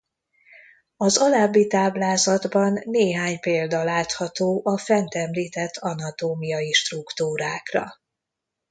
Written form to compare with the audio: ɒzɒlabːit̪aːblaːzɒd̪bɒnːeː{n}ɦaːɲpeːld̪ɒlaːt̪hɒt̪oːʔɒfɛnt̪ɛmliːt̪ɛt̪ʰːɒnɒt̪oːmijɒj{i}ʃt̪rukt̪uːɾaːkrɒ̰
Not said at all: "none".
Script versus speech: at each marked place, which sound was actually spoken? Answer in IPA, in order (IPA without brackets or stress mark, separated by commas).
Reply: none, i